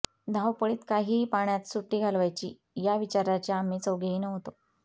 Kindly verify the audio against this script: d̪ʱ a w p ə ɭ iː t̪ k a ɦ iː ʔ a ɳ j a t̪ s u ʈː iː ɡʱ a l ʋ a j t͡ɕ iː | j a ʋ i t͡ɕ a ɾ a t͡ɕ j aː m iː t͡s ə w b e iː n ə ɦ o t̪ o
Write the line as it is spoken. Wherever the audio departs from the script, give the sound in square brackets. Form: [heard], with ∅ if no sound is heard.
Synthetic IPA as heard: d̪ʱ a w p ə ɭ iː t̪ k a ɦ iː [p] a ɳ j a t̪ s u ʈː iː ɡʱ a l ʋ a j t͡ɕ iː | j a ʋ i t͡ɕ a ɾ a t͡ɕ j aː m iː t͡s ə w [ɡ] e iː n ə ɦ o t̪ o

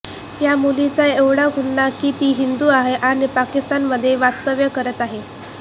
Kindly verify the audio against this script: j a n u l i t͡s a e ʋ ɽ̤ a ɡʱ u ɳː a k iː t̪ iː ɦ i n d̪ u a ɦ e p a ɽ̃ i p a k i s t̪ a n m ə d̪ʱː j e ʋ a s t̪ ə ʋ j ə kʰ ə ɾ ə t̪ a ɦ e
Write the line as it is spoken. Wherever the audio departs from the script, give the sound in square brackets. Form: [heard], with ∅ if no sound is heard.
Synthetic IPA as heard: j a [m] u l i t͡s a e ʋ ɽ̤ a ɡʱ u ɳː a k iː t̪ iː ɦ i n d̪ u a ɦ e [ʔ] a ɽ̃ i p a k i s t̪ a n m ə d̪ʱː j e ʋ a s t̪ ə ʋ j ə [k] ə ɾ ə t̪ a ɦ e

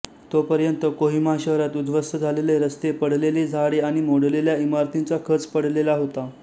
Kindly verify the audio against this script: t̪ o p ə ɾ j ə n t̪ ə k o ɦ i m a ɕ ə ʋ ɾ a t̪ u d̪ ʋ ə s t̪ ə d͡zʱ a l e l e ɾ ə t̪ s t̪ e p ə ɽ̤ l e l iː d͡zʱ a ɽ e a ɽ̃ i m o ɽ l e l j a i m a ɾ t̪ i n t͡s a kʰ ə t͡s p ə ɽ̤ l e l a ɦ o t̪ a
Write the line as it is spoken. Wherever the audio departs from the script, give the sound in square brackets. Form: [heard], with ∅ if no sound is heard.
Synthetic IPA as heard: t̪ o p ə ɾ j ə n t̪ ə k o ɦ i m a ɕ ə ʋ ɾ a t̪ u d̪ ʋ ə s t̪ ə d͡zʱ a l e l e ɾ ə [∅] s t̪ e p ə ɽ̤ l e l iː d͡zʱ a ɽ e a ɽ̃ i m o ɽ l e l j a i m a ɾ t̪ i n t͡s a kʰ ə t͡s p ə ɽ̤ l e l a ɦ o t̪ a

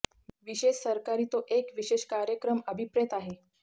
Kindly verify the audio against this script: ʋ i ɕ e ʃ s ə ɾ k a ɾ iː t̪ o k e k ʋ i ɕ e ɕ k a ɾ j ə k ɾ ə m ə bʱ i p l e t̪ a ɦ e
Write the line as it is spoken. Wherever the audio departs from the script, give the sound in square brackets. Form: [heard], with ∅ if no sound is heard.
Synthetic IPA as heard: ʋ i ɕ e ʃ s ə ɾ k a ɾ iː t̪ o [ʔ] e k ʋ i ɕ e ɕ k a ɾ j ə k ɾ ə m ə bʱ i p [ɾ] e t̪ a ɦ e

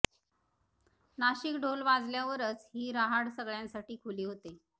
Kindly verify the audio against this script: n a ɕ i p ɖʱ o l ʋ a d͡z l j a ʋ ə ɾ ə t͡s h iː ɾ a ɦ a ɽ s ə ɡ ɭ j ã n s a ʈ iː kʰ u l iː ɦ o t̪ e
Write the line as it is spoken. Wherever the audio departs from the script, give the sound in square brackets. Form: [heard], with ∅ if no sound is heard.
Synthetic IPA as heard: n a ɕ i [k] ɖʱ o l ʋ a d͡z l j a ʋ ə ɾ ə t͡s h iː ɾ a ɦ a ɽ s ə ɡ ɭ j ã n s a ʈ iː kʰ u l iː ɦ o t̪ e

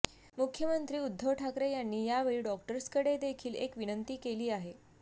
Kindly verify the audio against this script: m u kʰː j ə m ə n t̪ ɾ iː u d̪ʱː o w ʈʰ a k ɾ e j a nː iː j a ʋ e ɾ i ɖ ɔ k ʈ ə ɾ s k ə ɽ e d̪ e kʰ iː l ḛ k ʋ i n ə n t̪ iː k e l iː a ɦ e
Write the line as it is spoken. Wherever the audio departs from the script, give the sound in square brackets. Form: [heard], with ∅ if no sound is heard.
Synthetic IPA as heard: m u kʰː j ə m ə n t̪ ɾ iː u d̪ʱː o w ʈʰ a k ɾ e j a nː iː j a ʋ e [ɭ] i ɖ ɔ k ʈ ə ɾ s k ə ɽ e d̪ e kʰ iː l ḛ k ʋ i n ə n t̪ iː k e l iː a ɦ e

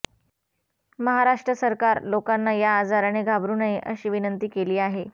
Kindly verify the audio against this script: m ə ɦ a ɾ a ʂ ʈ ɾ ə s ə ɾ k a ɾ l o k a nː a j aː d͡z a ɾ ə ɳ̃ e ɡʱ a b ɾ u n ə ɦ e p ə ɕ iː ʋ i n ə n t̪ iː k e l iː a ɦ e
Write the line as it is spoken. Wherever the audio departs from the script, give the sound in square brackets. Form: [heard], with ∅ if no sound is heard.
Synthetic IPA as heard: m ə ɦ a ɾ a ʂ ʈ ɾ ə s ə ɾ k a ɾ l o k a nː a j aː d͡z a ɾ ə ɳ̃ e ɡʱ a b ɾ u n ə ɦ e [ʔ] ə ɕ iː ʋ i n ə n t̪ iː k e l iː a ɦ e

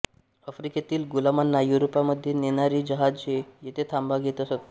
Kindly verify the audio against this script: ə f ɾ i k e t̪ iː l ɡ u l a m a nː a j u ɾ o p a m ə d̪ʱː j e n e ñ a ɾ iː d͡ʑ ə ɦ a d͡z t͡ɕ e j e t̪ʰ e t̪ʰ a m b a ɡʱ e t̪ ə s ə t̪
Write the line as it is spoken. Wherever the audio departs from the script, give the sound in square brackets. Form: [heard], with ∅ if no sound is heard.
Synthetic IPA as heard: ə f ɾ i k e t̪ iː l ɡ u l a m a nː a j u ɾ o p a m ə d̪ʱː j e n e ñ a ɾ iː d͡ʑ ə ɦ a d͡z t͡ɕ e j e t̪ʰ e t̪ʰ a m b a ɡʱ e t̪ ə s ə t̪

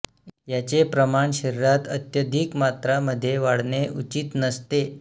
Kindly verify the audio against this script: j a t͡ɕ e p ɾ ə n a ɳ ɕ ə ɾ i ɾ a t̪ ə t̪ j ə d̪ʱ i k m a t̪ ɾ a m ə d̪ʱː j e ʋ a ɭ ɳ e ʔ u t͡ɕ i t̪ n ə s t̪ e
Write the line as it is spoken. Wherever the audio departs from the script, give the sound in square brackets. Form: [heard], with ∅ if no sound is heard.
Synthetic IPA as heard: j a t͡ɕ e p ɾ ə [m] a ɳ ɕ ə ɾ i ɾ a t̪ ə t̪ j ə d̪ʱ i k m a t̪ ɾ a m ə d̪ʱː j e ʋ a [ɽ] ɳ e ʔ u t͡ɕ i t̪ n ə s t̪ e

